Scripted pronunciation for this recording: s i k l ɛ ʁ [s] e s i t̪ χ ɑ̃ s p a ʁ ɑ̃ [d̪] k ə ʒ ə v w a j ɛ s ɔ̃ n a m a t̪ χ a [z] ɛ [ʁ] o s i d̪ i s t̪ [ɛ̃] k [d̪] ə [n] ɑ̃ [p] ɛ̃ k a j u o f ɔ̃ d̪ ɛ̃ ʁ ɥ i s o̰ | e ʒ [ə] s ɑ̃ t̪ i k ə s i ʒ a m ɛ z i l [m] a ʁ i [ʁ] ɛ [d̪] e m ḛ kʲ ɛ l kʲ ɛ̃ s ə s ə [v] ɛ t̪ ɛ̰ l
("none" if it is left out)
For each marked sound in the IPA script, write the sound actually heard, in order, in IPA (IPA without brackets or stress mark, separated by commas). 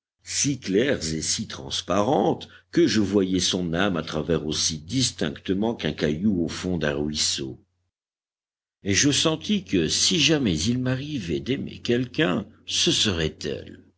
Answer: z, t̪, v, ʁ, ɛ̃, t̪, m, k, ə, m, v, d̪, ʁ